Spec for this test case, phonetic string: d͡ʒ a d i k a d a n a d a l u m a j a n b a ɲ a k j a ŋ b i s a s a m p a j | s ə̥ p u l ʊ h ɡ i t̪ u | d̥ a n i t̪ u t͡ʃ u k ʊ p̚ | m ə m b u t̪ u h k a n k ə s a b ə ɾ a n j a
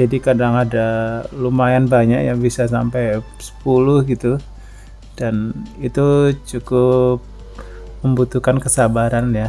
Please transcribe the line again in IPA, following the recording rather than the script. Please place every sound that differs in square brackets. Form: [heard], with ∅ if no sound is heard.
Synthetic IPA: d͡ʒ a d i k a d a [ŋ] a d a l u m a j a n b a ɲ a k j a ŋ b i s a s a m p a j | s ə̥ p u l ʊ h ɡ i t̪ u | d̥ a n i t̪ u t͡ʃ u k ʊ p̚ | m ə m b u t̪ u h k a n k ə s a b [a] ɾ a n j a